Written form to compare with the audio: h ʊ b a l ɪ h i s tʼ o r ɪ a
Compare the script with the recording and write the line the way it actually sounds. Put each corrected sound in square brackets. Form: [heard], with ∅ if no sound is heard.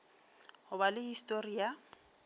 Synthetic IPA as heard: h ʊ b a l ɪ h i s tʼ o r [i] a